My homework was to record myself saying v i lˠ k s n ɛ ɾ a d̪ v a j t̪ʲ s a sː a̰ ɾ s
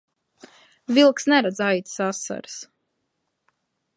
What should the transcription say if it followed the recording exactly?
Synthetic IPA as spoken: v i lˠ k s n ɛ ɾ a d̪ z a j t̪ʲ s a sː a̰ ɾ s